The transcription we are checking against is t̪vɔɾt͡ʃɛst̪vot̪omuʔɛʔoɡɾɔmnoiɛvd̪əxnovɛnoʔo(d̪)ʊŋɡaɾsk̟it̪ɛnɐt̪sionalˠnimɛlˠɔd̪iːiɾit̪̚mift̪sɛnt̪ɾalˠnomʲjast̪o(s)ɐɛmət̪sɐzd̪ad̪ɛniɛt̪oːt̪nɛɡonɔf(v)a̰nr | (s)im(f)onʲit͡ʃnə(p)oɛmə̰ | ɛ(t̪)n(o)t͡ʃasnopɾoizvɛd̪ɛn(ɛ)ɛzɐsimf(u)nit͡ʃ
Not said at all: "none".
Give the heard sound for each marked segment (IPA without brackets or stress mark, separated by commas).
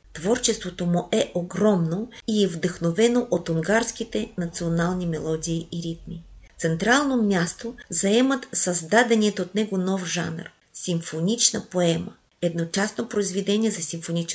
t̪, z, ʒ, s, f, p, d̪, o, i, o